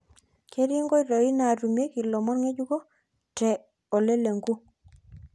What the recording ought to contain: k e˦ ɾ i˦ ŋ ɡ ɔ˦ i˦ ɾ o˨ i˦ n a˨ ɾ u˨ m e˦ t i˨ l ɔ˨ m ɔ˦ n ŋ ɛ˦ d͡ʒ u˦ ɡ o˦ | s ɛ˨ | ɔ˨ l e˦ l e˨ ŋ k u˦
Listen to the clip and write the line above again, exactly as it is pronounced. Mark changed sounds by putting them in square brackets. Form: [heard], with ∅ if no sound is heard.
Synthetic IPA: k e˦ ɾ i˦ ŋ ɡ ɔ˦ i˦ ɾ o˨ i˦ n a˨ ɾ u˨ m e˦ [k] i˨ l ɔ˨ m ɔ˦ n ŋ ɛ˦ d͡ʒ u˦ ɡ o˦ | [t] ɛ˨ | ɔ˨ l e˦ l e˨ ŋ [ɡ] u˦